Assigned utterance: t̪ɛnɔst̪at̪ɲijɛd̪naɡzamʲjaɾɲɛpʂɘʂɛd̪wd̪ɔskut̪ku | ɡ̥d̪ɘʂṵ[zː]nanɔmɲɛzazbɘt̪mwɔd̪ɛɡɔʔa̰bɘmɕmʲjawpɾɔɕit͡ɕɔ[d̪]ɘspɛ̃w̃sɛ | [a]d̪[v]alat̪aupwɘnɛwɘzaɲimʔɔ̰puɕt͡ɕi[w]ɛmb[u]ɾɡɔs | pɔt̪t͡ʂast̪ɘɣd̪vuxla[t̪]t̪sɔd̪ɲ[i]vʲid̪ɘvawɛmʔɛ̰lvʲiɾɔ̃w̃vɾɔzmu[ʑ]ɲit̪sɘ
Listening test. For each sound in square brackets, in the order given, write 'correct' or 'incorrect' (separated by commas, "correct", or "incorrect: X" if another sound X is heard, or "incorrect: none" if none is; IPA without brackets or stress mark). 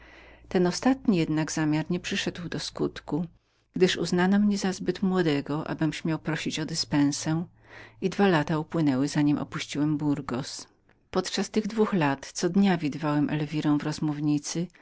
incorrect: z, correct, incorrect: i, correct, correct, correct, correct, incorrect: a, incorrect: v